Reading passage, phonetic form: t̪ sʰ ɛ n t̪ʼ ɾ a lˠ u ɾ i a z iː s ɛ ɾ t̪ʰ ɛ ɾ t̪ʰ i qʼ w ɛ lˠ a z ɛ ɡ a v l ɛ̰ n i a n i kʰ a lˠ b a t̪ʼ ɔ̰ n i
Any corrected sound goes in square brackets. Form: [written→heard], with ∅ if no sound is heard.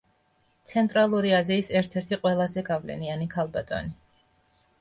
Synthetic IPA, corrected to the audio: t̪ sʰ ɛ n t̪ʼ ɾ a lˠ u ɾ i a z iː s ɛ ɾ t̪ʰ ɛ ɾ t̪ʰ i qʼ w ɛ lˠ a z ɛ ɡ a v l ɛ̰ n i a n i kʰ a lˠ b a t̪ʼ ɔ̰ n i

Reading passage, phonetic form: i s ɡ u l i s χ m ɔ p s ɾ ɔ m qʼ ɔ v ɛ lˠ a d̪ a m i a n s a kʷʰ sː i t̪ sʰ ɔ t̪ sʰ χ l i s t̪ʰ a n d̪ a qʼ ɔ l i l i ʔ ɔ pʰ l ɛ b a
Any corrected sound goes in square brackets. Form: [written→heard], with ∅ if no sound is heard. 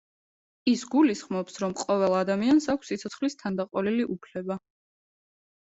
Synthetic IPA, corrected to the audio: i s ɡ u l i s χ m ɔ p s ɾ ɔ m qʼ ɔ v ɛ lˠ a d̪ a m i a n s a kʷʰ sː i t̪ sʰ ɔ t̪ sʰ χ l i s t̪ʰ a n d̪ a qʼ ɔ l i l i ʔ [ɔ→u] pʰ l ɛ b a

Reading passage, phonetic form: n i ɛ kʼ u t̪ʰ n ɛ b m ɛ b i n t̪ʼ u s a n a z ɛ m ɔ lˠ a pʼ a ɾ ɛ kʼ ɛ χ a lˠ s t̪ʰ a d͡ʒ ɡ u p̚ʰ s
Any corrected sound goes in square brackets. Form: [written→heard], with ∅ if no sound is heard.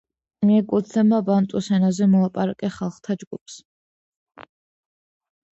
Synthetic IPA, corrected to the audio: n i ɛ kʼ u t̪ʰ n ɛ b m [ɛ→a] b [i→a] n t̪ʼ u s [a→ɛ] n a z ɛ m ɔ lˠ a pʼ a ɾ [ɛ→a] kʼ ɛ χ a lˠ [s→χ] t̪ʰ a d͡ʒ ɡ u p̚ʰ s

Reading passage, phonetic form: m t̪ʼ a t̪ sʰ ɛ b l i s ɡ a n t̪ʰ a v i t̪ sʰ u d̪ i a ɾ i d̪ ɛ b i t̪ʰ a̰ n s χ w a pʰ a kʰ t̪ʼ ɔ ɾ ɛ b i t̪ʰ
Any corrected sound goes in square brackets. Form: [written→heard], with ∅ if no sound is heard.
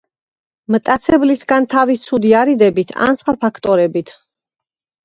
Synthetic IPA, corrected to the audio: m t̪ʼ a t̪ sʰ ɛ b l i s ɡ a n t̪ʰ a v i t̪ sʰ u d̪ i a ɾ i d̪ ɛ b i t̪ʰ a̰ n s χ w a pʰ a kʰ t̪ʼ ɔ ɾ ɛ b i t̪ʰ

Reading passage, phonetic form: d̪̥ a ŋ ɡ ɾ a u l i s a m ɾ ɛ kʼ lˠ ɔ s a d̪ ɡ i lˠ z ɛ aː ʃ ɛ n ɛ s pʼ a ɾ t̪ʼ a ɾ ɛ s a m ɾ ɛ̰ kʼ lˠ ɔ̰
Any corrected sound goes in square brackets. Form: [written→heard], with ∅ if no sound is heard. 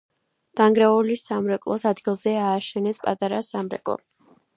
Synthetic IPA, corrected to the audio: d̪̥ a ŋ ɡ ɾ a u l i s a m ɾ ɛ kʼ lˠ ɔ s a d̪ ɡ i lˠ z ɛ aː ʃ ɛ n ɛ s pʼ a [ɾ→∅] t̪ʼ a ɾ [ɛ→a] s a m ɾ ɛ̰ kʼ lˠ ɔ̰

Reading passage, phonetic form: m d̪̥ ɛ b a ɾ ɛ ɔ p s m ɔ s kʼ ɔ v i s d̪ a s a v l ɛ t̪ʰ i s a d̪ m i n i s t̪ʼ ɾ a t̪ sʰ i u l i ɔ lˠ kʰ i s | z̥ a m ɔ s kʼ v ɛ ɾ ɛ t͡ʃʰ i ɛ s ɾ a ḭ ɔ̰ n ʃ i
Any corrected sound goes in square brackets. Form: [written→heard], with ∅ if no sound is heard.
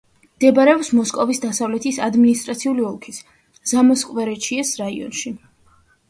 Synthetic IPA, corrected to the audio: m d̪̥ ɛ b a ɾ ɛ ɔ p s m ɔ s kʼ ɔ v i s d̪ a s a v l ɛ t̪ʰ i s a d̪ m i n i s t̪ʼ ɾ a t̪ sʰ i u l i ɔ lˠ kʰ i s | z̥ a m ɔ s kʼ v ɛ ɾ ɛ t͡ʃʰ i ɛ s ɾ a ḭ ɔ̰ n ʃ i

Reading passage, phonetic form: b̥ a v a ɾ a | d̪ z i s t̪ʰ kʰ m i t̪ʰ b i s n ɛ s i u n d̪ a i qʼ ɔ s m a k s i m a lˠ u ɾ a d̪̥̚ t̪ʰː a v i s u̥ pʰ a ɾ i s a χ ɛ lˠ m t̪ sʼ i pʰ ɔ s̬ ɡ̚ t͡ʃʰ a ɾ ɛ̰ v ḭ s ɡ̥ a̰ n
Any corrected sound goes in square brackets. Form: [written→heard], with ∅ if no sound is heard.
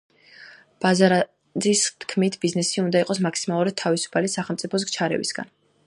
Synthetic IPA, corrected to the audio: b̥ a [v→z] a ɾ a | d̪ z i s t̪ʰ kʰ m i t̪ʰ b i [s→z] n ɛ s i u n d̪ a i qʼ ɔ s m a k s i m a lˠ u ɾ a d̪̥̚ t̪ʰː a v i s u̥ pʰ a [ɾ→l] i s a χ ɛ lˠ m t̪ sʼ i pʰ ɔ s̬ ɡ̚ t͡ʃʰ a ɾ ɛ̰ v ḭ s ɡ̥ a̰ n

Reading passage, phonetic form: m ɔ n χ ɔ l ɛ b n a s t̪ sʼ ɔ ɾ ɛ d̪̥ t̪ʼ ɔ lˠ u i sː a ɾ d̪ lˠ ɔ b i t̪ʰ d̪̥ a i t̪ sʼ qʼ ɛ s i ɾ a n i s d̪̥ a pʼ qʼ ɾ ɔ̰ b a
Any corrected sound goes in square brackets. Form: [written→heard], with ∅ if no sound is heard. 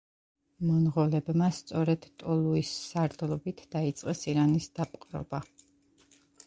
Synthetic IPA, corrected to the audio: m ɔ n [χ→ʁ] ɔ l ɛ b [n→m] a s t̪ sʼ ɔ ɾ ɛ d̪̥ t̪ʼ ɔ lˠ u i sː a ɾ d̪ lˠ ɔ b i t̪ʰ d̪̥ a i t̪ sʼ qʼ ɛ s i ɾ a n i s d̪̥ a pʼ qʼ ɾ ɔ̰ b a

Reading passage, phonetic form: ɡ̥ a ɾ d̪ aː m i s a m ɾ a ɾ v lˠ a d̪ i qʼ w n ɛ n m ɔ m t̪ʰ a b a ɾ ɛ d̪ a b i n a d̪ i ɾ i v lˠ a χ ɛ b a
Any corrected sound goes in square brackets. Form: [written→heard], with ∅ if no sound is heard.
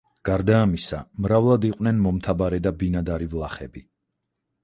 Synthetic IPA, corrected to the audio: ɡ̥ a ɾ d̪ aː m i s a m ɾ a [ɾ→∅] v lˠ a d̪ i qʼ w n ɛ n m ɔ m t̪ʰ a b a ɾ ɛ d̪ a b i n a d̪ [i→a] ɾ i v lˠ a χ ɛ b [a→i]

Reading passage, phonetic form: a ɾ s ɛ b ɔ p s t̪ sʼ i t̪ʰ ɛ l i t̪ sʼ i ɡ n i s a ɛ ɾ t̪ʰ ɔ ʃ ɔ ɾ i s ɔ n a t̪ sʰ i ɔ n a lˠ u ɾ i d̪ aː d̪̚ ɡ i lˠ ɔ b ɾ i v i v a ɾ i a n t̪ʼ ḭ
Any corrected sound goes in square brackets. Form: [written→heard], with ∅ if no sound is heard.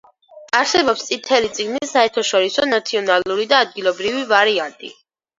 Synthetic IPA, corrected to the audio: a ɾ s ɛ b ɔ p s t̪ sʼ i t̪ʰ ɛ l i t̪ sʼ i ɡ n i s a ɛ ɾ t̪ʰ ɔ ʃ ɔ ɾ i s ɔ n a t̪ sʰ i ɔ n a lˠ u ɾ i d̪ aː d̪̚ ɡ i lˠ ɔ b ɾ i v i v a ɾ i a n t̪ʼ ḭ

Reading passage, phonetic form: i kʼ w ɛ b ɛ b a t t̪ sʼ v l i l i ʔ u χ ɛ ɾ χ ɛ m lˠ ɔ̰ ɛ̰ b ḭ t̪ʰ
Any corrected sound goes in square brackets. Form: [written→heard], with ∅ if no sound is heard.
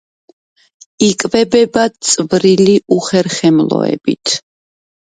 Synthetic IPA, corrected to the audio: i kʼ [w→v] ɛ b ɛ b a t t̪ sʼ v [l→ɾ] i l i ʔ u χ ɛ ɾ χ ɛ m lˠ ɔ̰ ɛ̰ b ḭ t̪ʰ

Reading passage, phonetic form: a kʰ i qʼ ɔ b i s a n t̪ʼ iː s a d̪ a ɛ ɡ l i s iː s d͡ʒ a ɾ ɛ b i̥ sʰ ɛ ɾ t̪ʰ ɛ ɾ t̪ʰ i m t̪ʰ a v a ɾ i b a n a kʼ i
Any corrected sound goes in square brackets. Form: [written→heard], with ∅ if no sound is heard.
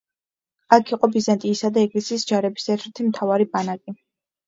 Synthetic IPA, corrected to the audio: a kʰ i qʼ ɔ b i [s→z] a n t̪ʼ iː s a d̪ a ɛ ɡ l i s iː s d͡ʒ a ɾ ɛ b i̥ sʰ ɛ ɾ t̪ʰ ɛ ɾ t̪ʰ i m t̪ʰ a v a ɾ i b a n a kʼ i

